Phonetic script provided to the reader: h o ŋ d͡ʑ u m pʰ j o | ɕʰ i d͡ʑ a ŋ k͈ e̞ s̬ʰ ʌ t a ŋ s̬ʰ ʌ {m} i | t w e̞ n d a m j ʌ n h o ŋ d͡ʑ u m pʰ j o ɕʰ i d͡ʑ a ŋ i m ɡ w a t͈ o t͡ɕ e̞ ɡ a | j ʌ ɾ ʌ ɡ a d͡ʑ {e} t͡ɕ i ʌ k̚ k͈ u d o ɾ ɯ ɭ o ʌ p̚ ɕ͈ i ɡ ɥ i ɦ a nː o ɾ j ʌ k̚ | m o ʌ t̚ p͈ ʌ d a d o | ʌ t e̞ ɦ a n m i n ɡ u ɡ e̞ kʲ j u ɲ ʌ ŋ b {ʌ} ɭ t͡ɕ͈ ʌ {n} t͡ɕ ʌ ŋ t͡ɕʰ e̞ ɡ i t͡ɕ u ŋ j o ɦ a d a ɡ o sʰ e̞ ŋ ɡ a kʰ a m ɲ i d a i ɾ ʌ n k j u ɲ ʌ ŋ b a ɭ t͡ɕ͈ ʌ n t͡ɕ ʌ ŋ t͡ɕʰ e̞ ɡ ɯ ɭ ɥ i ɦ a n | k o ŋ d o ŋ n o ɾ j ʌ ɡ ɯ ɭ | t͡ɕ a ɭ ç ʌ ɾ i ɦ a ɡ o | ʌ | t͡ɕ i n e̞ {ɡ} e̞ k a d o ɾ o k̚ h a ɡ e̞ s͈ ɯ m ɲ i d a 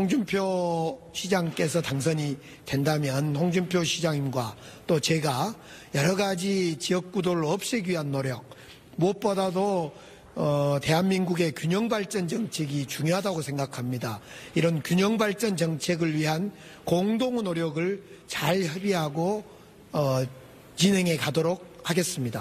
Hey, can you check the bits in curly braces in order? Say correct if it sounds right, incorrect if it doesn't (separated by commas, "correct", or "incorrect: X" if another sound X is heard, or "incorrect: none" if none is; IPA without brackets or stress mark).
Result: incorrect: ɲ, incorrect: i, incorrect: a, correct, incorrect: ŋ